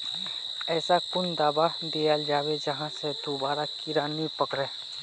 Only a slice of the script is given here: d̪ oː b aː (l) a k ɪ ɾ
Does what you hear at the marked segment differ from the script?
yes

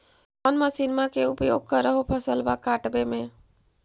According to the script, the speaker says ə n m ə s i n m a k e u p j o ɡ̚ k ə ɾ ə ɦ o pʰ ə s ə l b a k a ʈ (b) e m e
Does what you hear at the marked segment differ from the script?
no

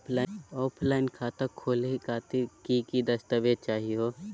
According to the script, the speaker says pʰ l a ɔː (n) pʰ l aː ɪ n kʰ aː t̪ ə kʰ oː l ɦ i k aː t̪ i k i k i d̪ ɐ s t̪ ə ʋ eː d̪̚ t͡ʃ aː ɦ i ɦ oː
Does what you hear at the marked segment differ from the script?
yes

